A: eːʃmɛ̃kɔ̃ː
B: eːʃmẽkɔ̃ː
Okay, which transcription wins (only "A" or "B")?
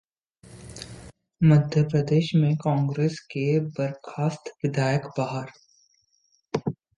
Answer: B